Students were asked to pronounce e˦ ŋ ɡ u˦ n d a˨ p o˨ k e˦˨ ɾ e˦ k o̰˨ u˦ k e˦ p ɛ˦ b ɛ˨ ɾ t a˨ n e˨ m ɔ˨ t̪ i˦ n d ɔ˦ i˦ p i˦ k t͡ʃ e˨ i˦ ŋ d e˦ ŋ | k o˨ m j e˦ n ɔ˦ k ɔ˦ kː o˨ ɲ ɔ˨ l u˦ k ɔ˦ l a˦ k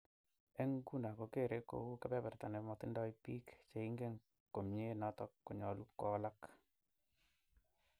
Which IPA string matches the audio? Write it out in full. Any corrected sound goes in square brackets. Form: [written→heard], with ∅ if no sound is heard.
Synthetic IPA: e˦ ŋ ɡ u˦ n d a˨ [p→k] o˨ k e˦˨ ɾ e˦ k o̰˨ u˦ k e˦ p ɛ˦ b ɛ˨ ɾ t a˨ n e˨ m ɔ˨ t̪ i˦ n d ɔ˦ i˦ p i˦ k t͡ʃ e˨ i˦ ŋ [d→ɡ] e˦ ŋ | k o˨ m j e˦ n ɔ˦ [k→t] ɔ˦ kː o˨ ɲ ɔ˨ l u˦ k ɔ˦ l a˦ k